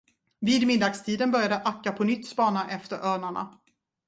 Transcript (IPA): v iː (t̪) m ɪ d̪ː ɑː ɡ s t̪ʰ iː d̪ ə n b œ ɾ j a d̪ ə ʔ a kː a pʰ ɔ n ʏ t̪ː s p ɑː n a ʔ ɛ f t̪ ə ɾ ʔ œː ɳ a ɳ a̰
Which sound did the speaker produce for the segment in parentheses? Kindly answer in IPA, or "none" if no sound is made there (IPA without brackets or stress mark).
d̪